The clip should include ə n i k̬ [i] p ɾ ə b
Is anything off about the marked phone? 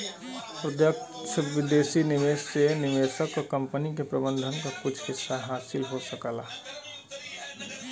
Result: yes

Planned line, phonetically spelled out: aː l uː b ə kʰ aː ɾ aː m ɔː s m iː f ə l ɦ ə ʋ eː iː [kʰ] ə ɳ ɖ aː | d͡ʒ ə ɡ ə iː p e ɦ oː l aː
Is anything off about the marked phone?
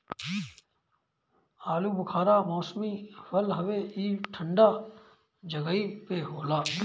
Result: yes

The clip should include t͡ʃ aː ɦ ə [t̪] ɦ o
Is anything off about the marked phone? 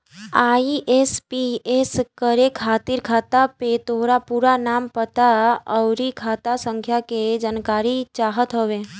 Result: no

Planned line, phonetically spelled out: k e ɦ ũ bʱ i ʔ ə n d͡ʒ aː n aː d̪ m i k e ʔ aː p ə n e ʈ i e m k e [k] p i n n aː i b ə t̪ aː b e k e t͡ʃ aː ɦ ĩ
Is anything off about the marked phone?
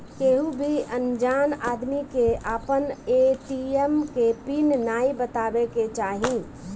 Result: yes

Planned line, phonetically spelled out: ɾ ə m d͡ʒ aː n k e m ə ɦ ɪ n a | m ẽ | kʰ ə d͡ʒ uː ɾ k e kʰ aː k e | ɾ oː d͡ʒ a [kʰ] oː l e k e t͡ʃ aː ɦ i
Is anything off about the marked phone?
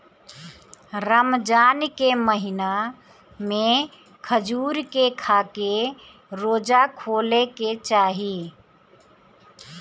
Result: no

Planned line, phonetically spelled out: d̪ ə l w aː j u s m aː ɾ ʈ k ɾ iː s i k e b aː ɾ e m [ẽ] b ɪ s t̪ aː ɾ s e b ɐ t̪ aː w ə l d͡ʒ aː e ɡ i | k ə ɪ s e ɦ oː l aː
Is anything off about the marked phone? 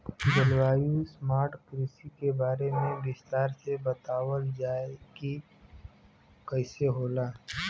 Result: no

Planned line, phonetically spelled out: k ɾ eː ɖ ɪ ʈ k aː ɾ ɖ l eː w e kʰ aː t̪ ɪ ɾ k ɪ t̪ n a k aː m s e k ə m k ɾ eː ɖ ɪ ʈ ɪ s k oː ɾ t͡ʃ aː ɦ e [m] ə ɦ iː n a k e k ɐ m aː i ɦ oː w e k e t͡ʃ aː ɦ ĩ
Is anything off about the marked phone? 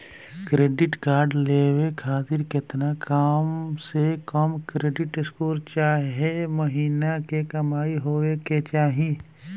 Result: no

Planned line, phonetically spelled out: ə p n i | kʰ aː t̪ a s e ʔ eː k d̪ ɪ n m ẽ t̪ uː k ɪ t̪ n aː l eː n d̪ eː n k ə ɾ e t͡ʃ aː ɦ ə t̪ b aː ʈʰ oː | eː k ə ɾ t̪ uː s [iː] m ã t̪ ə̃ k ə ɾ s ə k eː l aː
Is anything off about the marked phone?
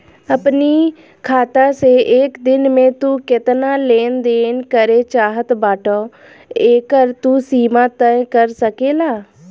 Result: no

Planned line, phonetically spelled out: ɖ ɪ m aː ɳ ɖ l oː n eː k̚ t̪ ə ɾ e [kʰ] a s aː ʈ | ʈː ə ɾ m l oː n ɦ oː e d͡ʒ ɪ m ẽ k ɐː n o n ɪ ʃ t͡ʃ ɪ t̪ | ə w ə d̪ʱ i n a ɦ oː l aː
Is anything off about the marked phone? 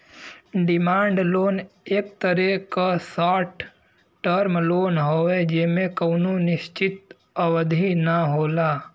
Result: yes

